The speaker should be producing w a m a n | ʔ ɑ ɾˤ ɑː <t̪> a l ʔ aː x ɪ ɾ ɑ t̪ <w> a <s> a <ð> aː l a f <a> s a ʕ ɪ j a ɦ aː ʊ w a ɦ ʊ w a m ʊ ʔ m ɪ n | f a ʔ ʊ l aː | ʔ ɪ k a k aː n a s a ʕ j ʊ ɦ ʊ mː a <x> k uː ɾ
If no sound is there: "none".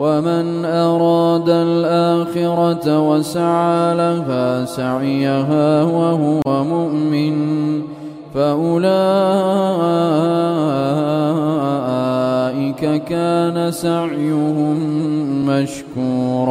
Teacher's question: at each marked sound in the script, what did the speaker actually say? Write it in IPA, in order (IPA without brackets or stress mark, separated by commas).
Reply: d̪, w, s, ʕ, a, ʃ